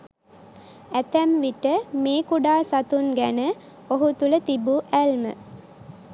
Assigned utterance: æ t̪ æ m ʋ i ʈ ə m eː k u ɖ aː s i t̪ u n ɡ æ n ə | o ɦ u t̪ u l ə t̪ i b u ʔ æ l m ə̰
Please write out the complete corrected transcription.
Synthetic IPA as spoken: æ t̪ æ m ʋ i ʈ ə m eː k u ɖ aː s a t̪ u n ɡ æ n ə | o ɦ u t̪ u l ə t̪ i b u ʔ æ l m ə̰